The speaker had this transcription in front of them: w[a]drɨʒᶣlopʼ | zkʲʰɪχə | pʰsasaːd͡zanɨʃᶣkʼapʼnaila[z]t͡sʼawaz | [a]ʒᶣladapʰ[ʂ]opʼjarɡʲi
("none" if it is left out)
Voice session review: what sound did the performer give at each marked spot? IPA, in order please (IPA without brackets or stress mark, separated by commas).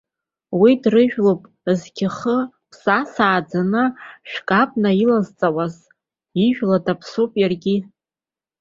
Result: i, z, i, s